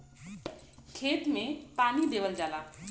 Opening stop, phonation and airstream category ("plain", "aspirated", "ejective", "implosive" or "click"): aspirated